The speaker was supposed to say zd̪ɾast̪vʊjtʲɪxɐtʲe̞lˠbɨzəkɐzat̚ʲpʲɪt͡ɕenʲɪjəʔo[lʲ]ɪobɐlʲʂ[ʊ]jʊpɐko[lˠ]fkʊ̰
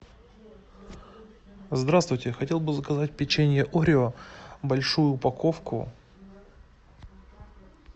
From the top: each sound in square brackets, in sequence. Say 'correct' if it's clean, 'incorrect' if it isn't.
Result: incorrect, incorrect, incorrect

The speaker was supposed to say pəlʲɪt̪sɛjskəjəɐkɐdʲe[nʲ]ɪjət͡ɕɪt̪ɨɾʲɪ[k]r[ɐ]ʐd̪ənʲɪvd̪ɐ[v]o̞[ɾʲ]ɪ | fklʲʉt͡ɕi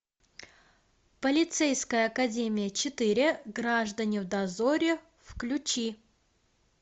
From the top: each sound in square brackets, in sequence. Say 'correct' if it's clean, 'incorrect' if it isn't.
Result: incorrect, incorrect, incorrect, incorrect, correct

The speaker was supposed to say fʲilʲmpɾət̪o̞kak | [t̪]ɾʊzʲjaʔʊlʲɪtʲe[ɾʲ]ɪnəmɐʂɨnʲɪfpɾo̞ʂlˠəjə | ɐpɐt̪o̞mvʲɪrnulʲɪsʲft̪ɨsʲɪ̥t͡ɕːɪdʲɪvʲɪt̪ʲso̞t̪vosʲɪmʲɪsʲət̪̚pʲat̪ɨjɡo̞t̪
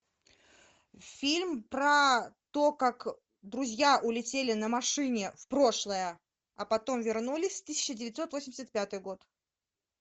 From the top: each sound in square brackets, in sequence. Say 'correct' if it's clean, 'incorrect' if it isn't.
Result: incorrect, incorrect

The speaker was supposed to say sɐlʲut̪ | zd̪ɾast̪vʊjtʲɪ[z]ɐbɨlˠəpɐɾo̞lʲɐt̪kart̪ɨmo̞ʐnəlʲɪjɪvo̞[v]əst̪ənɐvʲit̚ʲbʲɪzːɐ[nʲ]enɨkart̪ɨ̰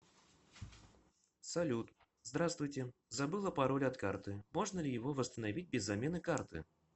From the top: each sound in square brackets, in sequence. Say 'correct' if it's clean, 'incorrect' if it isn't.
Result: correct, correct, incorrect

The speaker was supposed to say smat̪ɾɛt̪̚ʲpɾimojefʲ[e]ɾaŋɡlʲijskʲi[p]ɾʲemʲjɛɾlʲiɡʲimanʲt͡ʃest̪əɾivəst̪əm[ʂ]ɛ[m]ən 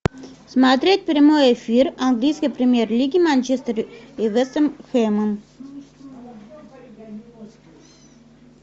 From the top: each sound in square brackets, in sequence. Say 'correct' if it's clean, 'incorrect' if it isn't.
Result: incorrect, correct, incorrect, correct

